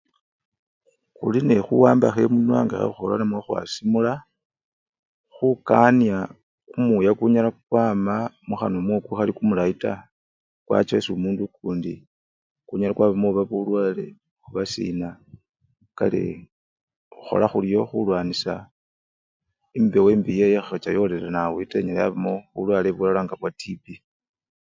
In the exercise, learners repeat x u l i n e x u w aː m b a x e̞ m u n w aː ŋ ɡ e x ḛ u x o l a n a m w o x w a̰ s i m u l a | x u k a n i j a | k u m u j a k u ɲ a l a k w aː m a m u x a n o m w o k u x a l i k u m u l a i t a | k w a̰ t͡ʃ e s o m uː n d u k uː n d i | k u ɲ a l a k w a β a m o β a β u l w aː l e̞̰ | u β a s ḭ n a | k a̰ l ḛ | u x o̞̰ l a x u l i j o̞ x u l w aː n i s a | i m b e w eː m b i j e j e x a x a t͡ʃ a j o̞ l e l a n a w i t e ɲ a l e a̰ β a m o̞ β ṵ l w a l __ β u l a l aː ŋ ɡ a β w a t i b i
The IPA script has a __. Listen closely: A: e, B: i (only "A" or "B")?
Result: A